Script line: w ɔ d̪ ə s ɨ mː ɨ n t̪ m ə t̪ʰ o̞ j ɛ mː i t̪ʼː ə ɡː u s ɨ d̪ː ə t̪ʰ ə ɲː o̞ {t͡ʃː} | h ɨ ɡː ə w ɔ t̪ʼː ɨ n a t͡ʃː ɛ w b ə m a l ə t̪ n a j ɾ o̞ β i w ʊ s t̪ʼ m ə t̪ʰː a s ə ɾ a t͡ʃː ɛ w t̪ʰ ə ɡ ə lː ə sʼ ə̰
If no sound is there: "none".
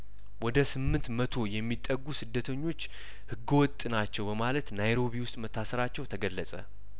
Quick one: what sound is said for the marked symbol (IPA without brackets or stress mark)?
t͡ʃː